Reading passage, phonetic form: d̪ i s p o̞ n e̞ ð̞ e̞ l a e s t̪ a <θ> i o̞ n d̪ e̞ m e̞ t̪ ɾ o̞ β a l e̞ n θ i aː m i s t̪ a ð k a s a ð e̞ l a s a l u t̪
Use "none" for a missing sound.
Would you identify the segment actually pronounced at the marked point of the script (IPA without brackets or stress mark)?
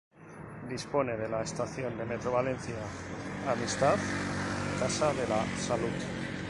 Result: θ